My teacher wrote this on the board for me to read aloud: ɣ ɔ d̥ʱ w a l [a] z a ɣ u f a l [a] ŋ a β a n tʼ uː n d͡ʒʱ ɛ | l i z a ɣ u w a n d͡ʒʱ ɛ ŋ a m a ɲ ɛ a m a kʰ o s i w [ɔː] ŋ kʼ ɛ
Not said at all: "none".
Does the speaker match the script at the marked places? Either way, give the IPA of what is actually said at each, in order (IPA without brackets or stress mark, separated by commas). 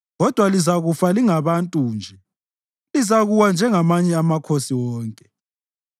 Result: i, i, ɔː